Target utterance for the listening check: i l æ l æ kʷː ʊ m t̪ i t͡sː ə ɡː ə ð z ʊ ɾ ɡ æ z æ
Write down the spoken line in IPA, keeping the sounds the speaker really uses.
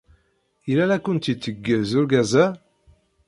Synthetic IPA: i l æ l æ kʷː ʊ n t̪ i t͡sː ə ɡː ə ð z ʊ ɾ ɡ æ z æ